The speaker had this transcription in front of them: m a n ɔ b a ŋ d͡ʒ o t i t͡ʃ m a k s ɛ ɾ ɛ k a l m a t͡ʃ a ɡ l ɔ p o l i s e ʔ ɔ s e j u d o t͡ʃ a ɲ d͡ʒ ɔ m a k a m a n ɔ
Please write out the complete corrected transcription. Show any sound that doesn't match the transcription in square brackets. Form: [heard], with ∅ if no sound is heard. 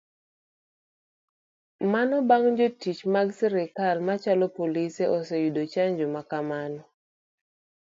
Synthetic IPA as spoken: m a n ɔ b a ŋ d͡ʒ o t i t͡ʃ m a [ɡ] s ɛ ɾ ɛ k a l m a t͡ʃ a [∅] l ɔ p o l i s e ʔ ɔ s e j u d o t͡ʃ a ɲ d͡ʒ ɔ m a k a m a n ɔ